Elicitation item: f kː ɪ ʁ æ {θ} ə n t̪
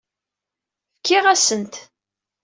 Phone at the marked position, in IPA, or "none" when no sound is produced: s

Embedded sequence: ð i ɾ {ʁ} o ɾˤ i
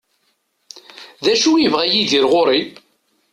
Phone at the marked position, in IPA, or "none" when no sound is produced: ʁ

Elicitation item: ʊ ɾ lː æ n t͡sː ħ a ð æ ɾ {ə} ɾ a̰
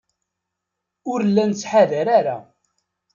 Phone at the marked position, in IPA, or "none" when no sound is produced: a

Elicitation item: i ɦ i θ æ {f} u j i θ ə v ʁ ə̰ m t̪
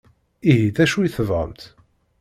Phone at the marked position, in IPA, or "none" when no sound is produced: ʃ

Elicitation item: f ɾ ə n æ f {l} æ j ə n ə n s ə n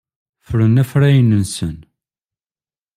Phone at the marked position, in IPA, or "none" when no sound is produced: ɾ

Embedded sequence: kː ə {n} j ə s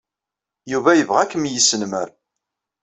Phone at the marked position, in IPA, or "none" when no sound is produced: m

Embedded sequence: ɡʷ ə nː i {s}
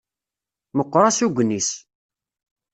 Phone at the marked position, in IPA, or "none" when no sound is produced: s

